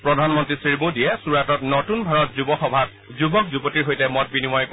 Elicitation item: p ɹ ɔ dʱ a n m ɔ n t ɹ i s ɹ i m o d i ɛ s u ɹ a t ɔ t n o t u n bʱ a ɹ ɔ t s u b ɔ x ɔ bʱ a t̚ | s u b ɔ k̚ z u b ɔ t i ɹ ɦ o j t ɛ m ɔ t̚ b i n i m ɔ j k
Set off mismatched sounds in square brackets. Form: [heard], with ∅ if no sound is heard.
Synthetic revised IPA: p ɹ ɔ dʱ a n m ɔ n t ɹ i s ɹ i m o d i ɛ s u ɹ a t ɔ t n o t u n bʱ a ɹ ɔ t [z] u b ɔ x ɔ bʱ a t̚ | [z] u b ɔ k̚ z u b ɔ t i ɹ ɦ o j t ɛ m ɔ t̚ b i n i m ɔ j k